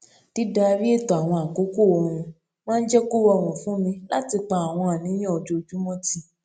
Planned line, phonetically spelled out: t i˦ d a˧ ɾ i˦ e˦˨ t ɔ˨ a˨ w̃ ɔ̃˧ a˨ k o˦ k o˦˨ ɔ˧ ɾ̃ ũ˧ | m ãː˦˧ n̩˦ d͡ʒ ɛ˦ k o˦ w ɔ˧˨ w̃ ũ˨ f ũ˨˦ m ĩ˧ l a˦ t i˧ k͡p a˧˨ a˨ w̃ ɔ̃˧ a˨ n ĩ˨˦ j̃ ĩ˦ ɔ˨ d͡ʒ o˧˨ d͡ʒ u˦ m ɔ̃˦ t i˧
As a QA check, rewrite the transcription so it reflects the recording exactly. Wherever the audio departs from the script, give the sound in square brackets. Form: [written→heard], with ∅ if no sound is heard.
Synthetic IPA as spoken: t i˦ d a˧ ɾ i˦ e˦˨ t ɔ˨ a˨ w̃ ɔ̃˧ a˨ k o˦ k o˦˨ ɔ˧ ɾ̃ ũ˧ | m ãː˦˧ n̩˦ d͡ʒ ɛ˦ k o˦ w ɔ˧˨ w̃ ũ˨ f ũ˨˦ m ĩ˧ l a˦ t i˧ k͡p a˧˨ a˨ w̃ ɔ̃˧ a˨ n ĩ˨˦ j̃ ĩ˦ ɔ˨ d͡ʒ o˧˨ d͡ʒ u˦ m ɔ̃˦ t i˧